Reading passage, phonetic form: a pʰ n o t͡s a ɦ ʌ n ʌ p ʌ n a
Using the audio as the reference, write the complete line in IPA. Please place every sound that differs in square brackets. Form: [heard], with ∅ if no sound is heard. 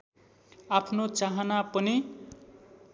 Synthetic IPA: a pʰ n o t͡s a ɦ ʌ n [a] p ʌ n [i]